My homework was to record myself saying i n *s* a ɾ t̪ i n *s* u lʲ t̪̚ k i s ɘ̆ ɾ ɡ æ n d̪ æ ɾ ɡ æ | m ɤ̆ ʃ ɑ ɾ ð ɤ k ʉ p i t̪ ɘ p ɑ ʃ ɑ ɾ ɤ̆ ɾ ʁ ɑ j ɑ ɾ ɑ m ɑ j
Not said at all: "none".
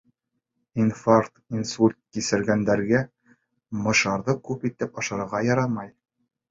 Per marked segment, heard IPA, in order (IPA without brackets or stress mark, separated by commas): f, s